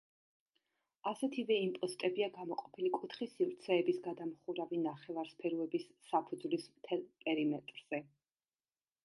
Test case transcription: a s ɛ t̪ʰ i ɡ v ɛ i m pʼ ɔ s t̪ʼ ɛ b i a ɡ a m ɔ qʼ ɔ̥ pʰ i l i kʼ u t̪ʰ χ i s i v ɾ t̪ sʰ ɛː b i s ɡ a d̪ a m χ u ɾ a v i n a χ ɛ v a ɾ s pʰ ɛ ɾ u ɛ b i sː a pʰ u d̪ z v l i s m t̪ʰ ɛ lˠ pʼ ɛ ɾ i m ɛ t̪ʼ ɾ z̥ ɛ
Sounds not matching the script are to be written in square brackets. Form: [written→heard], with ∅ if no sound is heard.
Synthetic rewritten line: a s ɛ t̪ʰ i [ɡ→∅] v ɛ i m pʼ ɔ s t̪ʼ ɛ b i a ɡ a m ɔ qʼ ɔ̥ pʰ i l i kʼ u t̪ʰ χ i s i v ɾ t̪ sʰ ɛː b i s ɡ a d̪ a m χ u ɾ a v i n a χ ɛ v a ɾ s pʰ ɛ ɾ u ɛ b i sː a pʰ u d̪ z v l i s m t̪ʰ ɛ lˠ pʼ ɛ ɾ i m ɛ t̪ʼ ɾ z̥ ɛ